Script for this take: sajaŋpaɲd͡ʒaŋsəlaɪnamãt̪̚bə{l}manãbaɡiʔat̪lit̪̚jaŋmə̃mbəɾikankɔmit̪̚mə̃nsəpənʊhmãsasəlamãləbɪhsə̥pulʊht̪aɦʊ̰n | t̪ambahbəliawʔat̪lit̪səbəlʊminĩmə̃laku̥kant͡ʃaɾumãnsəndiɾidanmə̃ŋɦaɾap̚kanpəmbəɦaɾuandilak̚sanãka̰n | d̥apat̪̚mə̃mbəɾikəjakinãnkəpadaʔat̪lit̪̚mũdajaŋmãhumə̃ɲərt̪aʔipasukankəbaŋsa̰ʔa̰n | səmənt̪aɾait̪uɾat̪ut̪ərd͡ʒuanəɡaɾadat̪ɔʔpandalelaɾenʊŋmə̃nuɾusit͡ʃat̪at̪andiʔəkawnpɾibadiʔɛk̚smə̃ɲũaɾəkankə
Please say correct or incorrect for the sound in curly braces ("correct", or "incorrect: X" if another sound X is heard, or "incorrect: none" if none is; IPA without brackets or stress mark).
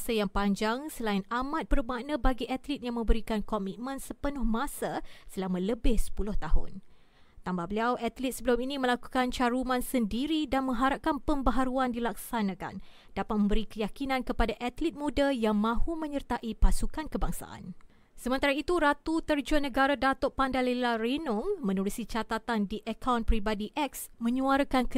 incorrect: r